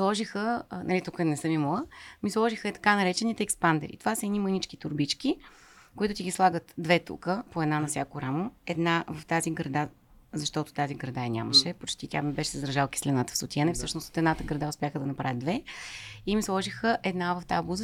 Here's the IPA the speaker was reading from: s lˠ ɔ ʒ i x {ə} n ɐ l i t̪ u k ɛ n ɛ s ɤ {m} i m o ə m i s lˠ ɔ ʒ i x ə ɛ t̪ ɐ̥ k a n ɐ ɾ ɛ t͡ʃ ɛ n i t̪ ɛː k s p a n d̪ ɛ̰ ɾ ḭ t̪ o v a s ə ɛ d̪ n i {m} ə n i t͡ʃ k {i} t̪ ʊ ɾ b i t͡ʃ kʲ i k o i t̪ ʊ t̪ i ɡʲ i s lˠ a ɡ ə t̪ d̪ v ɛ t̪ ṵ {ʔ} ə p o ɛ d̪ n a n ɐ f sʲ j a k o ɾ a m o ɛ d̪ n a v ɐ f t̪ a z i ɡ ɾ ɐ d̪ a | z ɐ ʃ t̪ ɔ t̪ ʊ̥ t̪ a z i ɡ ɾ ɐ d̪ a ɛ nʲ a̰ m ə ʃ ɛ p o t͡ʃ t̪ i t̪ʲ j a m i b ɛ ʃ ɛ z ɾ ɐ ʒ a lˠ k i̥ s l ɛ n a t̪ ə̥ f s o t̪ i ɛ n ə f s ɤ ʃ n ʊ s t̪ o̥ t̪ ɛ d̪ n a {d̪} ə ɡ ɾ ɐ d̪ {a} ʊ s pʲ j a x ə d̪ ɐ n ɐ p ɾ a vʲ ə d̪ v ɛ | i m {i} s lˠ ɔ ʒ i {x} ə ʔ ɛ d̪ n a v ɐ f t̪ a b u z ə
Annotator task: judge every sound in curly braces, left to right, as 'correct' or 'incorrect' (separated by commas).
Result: correct, correct, correct, correct, incorrect, incorrect, correct, correct, correct